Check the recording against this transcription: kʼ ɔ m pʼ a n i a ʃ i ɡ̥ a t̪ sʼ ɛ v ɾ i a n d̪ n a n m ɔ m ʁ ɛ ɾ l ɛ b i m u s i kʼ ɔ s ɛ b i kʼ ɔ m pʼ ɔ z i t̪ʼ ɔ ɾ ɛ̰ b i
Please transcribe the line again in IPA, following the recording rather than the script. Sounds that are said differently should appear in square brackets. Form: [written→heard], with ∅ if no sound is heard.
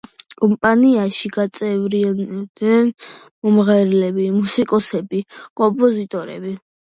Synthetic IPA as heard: kʼ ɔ m pʼ a n i a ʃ i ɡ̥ a t̪ sʼ ɛ v ɾ i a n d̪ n [a→ɛ] n m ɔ m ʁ ɛ ɾ l ɛ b i m u s i kʼ ɔ s ɛ b i kʼ ɔ m pʼ ɔ z i t̪ʼ ɔ ɾ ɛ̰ b i